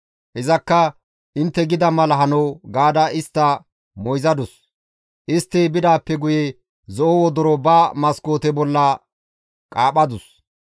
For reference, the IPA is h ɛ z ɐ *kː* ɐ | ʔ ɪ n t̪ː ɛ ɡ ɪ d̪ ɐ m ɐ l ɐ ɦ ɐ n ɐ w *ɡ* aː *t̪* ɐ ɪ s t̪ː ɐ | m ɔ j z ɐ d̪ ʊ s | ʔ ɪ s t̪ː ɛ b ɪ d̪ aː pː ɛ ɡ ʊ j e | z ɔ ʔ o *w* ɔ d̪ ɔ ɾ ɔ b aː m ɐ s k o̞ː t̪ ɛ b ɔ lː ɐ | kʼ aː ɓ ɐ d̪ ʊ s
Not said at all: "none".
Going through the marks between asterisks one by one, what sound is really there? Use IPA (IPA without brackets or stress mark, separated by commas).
kː, ɡ, d̪, w